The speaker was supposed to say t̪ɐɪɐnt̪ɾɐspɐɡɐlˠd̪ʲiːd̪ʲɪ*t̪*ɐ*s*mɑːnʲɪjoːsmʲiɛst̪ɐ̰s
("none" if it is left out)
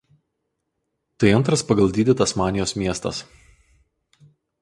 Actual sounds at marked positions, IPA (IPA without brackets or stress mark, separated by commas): t̪, s